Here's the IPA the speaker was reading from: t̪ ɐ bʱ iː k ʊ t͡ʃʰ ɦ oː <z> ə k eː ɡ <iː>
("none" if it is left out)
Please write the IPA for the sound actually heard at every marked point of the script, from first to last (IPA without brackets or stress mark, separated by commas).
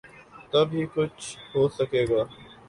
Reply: s, aː